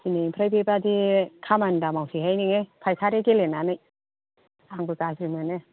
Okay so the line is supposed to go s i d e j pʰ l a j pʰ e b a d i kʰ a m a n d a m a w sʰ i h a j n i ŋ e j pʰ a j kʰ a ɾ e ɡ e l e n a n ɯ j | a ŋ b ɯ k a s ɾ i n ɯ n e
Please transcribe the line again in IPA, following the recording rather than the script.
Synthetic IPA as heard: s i n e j pʰ ɾ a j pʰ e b a d i kʰ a m a n d a m a w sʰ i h a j n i ŋ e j pʰ a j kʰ a ɾ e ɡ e l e n a n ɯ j | a ŋ b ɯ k a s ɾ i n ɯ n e